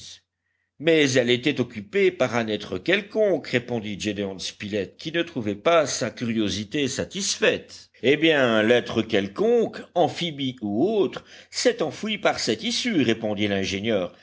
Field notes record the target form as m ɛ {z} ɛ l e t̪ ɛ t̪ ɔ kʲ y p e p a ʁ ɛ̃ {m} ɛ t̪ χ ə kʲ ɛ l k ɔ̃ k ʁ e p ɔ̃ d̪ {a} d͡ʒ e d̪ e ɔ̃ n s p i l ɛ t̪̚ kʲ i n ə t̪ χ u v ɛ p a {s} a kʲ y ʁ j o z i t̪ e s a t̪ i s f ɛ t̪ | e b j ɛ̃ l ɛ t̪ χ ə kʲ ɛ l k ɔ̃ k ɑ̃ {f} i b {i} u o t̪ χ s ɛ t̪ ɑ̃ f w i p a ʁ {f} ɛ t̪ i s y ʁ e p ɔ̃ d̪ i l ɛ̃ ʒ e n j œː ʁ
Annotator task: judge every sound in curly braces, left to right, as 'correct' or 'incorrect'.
correct, incorrect: n, incorrect: i, correct, correct, correct, incorrect: s

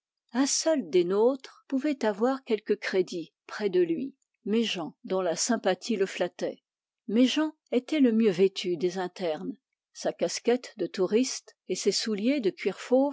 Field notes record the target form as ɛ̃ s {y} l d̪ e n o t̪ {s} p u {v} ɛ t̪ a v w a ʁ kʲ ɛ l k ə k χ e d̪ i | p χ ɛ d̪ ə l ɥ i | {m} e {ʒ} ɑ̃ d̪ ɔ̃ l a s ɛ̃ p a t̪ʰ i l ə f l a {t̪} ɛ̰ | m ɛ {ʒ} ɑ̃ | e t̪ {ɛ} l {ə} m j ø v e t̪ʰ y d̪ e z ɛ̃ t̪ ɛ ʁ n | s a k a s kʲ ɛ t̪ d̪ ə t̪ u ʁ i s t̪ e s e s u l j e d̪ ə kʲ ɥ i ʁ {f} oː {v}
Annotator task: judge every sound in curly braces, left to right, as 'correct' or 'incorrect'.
incorrect: œ, incorrect: χ, correct, correct, correct, correct, correct, correct, correct, correct, correct

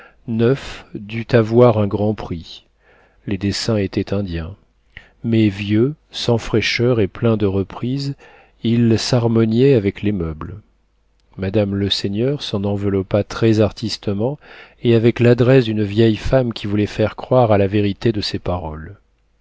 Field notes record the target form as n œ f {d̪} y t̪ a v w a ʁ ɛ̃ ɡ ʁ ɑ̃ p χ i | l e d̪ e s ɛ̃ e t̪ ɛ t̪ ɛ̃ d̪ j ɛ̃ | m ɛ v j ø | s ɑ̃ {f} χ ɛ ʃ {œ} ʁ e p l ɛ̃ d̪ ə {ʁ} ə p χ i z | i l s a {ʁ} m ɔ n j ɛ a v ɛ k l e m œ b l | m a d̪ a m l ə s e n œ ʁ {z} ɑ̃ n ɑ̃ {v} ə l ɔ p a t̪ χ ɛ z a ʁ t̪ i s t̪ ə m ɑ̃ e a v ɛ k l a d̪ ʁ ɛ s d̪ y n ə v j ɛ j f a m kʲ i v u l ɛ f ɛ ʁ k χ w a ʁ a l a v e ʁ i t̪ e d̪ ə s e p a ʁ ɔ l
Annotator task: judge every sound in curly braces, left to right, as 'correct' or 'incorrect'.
correct, correct, correct, correct, correct, incorrect: s, correct

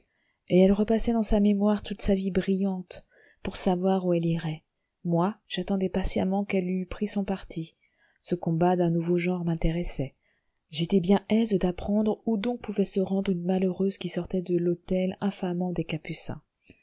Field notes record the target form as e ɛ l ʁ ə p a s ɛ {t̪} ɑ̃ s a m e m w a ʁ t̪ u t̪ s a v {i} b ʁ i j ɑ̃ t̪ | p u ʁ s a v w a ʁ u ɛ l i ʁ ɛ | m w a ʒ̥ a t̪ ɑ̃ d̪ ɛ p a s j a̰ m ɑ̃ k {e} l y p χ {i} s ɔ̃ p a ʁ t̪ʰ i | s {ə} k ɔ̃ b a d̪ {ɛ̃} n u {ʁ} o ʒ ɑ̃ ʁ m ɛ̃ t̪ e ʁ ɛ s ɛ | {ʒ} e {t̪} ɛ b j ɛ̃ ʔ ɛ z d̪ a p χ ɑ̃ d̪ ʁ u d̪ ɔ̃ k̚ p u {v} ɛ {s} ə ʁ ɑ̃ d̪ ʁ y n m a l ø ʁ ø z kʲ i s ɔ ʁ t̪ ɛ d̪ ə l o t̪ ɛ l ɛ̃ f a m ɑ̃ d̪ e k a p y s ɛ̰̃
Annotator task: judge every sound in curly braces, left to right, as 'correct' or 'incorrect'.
incorrect: d̪, correct, incorrect: ɛ, correct, correct, correct, incorrect: v, correct, correct, correct, correct

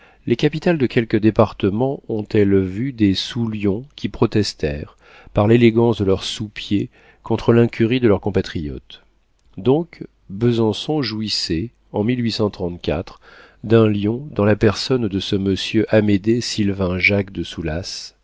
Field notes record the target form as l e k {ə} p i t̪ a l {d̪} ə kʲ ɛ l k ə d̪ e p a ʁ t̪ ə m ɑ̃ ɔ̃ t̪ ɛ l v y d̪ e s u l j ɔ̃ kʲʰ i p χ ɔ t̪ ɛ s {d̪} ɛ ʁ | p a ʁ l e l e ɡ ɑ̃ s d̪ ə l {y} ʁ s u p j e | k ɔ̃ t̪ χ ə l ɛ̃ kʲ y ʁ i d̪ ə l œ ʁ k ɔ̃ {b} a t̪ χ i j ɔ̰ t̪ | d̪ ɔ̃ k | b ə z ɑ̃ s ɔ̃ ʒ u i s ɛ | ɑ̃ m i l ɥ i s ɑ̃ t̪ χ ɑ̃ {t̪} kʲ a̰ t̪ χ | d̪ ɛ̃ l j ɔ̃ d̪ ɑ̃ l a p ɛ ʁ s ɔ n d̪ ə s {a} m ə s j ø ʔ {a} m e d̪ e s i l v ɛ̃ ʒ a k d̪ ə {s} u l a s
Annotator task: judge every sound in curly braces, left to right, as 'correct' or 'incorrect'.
incorrect: a, correct, incorrect: t̪, incorrect: œ, incorrect: p, correct, incorrect: ə, correct, correct

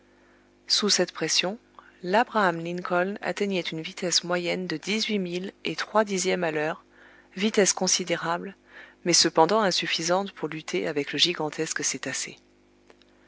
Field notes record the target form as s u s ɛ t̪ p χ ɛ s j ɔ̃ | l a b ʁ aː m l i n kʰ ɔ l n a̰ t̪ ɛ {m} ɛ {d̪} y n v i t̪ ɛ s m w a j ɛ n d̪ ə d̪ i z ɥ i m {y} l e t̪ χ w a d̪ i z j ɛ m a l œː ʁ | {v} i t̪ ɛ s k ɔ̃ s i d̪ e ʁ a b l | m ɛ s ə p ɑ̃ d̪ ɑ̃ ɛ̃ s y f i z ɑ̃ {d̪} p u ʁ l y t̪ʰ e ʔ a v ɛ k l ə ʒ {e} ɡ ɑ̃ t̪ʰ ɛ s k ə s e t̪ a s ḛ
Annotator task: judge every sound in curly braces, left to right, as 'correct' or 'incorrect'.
incorrect: ɲ, incorrect: t̪, incorrect: i, correct, incorrect: t̪, incorrect: i

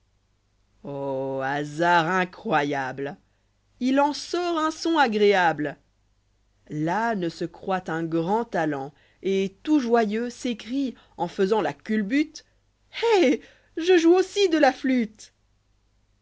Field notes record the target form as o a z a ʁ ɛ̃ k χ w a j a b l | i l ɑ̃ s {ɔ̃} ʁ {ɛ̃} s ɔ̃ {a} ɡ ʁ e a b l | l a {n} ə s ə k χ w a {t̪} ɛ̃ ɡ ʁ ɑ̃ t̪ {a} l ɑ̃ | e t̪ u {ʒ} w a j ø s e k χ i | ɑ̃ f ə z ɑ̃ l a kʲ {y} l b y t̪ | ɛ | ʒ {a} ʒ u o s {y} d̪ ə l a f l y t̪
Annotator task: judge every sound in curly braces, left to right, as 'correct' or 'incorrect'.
incorrect: ɔ, correct, correct, correct, correct, correct, correct, correct, incorrect: ə, incorrect: i

